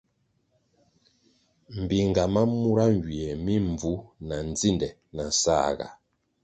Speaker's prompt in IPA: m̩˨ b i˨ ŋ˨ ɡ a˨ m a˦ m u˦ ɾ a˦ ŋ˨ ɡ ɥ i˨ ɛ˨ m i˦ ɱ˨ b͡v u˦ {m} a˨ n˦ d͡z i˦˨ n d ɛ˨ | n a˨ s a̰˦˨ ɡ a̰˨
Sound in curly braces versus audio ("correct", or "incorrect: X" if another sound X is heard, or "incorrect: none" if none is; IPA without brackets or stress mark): incorrect: n